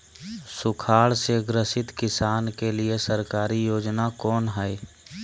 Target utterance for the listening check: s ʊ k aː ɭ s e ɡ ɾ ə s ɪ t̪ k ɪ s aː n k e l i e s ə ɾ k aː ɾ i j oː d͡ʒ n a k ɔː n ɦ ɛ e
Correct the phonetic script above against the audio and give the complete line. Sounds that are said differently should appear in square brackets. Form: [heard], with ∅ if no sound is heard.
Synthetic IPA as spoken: s ʊ [kʰ] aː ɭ s e ɡ ɾ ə s ɪ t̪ k ɪ s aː n k e l i e s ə ɾ k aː ɾ i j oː d͡ʒ n a k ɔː n ɦ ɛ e